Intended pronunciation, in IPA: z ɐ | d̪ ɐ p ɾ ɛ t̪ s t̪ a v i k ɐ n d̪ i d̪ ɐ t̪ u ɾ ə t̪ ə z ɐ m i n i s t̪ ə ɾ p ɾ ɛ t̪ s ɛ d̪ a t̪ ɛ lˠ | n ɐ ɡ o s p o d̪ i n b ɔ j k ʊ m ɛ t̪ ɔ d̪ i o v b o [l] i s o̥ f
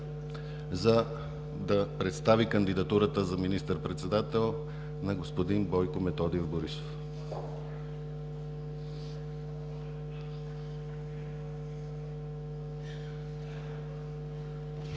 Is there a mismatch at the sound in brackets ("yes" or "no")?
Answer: yes